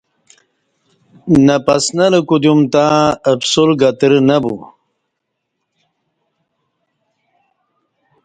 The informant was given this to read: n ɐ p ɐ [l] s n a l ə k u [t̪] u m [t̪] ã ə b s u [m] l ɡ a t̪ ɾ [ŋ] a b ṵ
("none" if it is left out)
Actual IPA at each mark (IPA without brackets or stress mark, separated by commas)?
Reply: none, d̪, t̪, none, n